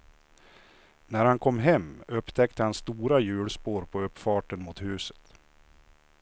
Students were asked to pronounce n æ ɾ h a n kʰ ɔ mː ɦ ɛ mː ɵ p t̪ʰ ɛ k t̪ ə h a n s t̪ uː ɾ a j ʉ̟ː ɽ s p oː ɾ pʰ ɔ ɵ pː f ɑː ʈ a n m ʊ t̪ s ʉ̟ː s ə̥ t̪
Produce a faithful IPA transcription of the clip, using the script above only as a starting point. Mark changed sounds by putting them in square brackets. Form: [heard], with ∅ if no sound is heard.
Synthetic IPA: n æ ɾ h a n kʰ ɔ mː ɦ ɛ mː ɵ p t̪ʰ ɛ k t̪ ə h a n s t̪ uː ɾ a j ʉ̟ː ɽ s p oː ɾ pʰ ɔ ɵ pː f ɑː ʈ [ə] n m ʊ t̪ [h] ʉ̟ː s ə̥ t̪